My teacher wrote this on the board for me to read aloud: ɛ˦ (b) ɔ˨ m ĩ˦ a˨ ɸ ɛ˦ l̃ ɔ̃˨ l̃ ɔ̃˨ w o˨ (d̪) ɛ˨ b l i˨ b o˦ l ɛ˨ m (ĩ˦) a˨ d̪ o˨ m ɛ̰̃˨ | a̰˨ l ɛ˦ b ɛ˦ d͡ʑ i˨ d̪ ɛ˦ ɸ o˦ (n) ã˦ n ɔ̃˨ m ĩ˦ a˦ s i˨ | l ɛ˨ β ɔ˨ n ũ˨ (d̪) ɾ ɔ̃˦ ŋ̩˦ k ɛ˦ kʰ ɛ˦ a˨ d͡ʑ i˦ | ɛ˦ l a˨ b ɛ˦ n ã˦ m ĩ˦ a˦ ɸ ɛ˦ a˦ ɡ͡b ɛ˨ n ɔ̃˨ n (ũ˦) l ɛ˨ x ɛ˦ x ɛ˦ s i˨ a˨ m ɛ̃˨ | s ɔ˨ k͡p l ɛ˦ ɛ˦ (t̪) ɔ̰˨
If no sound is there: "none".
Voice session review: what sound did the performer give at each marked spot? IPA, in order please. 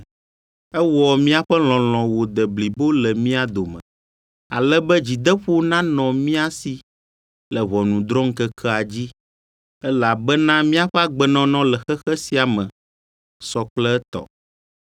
w, d̪, ĩ˦, n, d̪, ɔ̃˦, t̪

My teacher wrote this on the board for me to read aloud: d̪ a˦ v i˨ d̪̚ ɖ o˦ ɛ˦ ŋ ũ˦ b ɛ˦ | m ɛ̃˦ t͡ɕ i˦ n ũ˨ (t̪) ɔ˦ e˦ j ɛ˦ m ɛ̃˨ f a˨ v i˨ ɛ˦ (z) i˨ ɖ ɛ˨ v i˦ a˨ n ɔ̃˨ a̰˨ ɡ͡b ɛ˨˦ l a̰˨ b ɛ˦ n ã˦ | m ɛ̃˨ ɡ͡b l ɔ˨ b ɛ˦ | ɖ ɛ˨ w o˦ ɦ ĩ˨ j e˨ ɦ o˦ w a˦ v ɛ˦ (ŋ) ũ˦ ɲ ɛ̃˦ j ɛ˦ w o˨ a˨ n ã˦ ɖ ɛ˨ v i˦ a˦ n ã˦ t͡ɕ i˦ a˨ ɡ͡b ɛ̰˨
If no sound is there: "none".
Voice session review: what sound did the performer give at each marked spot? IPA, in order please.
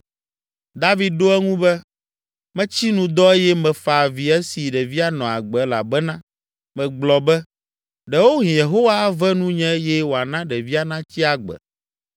d̪, s, n

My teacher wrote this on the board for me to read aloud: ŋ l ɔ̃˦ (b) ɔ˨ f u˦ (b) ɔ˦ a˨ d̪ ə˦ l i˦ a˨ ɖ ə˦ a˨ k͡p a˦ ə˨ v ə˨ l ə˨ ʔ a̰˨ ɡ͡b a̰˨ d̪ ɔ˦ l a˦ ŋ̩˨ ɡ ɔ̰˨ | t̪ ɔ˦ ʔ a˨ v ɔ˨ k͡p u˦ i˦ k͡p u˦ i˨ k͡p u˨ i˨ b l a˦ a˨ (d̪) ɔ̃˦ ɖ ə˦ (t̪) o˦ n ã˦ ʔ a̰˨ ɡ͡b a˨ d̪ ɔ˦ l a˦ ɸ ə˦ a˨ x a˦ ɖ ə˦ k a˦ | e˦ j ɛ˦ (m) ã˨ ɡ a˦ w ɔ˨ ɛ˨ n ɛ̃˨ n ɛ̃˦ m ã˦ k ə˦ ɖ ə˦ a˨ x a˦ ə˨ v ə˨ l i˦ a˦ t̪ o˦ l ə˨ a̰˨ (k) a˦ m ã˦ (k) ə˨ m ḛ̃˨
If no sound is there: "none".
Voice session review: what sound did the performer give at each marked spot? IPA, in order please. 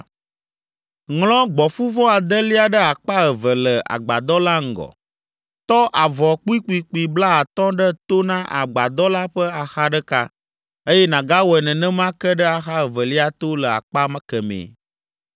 ɡ͡b, v, t̪, t̪, n, k͡p, k

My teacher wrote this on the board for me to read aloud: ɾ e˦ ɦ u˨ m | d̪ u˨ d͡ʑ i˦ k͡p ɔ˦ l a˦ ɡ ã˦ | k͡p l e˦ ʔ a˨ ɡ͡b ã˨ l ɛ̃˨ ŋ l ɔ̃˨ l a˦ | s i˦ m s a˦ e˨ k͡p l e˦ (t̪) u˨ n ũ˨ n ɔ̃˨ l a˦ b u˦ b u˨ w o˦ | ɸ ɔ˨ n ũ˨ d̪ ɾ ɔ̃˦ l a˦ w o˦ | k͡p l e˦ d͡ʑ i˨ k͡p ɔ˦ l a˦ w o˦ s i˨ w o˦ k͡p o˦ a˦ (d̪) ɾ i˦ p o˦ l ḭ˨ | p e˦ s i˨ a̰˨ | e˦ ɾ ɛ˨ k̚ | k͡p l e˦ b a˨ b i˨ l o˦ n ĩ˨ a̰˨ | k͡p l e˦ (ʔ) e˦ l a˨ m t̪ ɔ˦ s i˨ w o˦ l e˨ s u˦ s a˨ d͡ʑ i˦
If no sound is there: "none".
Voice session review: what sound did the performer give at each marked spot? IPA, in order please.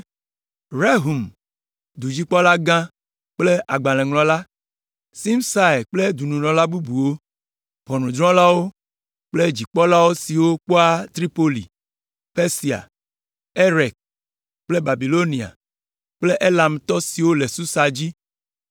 d̪, t̪, ʔ

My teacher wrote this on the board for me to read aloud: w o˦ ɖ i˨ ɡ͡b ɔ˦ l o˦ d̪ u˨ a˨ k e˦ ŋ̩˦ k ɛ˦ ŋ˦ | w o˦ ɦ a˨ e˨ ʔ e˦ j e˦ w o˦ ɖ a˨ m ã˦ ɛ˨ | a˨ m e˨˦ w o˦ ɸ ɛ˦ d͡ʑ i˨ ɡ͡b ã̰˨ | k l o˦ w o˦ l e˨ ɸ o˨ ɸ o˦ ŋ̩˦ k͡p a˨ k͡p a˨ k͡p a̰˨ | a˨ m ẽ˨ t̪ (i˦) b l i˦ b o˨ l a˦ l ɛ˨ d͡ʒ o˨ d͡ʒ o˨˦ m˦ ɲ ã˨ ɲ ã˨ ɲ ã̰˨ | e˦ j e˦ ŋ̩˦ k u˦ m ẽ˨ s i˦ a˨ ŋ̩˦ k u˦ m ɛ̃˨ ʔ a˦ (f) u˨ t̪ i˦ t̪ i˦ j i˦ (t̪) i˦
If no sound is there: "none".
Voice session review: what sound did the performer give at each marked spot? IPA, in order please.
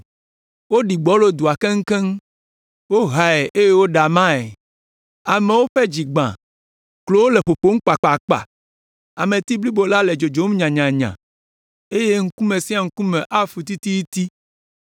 i˦, f, t̪

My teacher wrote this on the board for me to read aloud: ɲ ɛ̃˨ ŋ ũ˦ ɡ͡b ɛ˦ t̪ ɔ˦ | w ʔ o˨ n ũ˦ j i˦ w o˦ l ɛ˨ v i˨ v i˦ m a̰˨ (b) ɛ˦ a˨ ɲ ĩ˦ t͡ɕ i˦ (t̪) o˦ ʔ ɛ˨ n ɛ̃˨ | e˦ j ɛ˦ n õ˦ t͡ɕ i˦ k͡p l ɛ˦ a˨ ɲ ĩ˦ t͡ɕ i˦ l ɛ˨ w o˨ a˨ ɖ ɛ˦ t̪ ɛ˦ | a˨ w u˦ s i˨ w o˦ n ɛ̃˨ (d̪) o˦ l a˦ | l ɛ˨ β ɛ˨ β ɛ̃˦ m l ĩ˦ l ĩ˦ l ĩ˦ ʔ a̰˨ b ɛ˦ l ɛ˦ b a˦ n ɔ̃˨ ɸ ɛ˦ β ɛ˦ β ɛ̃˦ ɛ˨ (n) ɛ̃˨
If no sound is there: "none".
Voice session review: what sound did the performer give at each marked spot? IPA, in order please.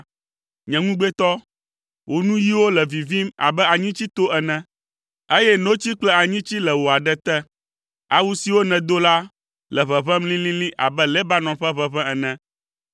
b, t̪, d̪, n

